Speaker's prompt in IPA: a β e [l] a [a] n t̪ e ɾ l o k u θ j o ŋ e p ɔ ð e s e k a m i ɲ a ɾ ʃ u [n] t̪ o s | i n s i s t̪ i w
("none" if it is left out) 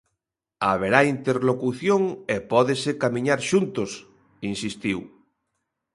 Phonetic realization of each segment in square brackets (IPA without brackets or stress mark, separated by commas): ɾ, i, n